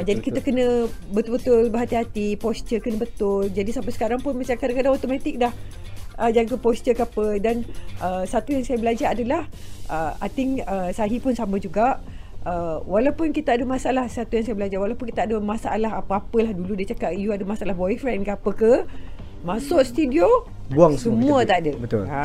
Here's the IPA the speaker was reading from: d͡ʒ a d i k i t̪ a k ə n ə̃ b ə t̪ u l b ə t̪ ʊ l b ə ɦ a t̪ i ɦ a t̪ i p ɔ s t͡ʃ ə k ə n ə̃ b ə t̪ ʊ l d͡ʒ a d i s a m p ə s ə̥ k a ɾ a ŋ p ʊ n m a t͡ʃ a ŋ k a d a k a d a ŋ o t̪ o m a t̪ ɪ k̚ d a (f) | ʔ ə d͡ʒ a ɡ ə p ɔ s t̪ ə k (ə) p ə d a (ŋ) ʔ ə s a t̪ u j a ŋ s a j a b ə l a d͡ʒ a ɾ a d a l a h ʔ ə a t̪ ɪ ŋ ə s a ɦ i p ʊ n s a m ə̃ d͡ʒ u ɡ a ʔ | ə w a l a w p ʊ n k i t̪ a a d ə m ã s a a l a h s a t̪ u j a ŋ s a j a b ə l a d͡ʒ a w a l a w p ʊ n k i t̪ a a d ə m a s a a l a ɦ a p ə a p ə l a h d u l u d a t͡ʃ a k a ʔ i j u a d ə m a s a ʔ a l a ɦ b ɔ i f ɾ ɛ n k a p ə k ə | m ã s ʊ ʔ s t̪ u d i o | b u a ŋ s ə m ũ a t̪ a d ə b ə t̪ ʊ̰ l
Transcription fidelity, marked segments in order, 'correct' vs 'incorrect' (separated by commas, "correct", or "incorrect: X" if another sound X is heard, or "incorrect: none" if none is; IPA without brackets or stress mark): incorrect: h, incorrect: a, incorrect: n